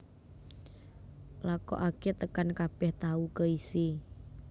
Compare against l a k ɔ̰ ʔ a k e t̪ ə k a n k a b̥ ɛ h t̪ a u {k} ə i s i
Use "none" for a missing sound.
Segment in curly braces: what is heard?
k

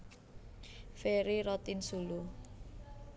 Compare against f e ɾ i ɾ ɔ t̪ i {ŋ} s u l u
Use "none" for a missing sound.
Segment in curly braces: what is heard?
n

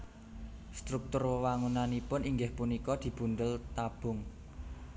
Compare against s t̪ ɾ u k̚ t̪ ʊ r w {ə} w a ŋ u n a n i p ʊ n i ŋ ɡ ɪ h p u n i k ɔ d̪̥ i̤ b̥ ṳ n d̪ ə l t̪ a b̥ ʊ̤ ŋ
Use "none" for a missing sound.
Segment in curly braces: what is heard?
ə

